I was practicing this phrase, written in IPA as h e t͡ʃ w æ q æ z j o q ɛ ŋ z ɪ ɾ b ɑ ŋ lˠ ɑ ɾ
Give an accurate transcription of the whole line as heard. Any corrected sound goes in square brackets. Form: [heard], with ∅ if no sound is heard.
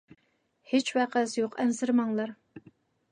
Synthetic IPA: h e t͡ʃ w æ q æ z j o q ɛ [n] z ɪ ɾ [m] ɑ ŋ lˠ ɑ ɾ